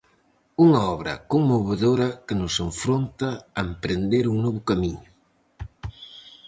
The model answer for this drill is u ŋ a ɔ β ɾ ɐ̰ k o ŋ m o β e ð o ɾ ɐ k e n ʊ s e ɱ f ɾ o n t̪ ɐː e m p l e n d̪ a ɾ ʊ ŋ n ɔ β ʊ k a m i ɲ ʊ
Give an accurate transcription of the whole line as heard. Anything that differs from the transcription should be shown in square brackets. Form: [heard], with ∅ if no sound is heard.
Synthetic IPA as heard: u ŋ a ɔ β ɾ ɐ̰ k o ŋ m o β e ð o ɾ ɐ k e n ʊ s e ɱ f ɾ o n t̪ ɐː e m p [ɾ] e n d̪ [e] ɾ [u] ŋ n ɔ β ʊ k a m i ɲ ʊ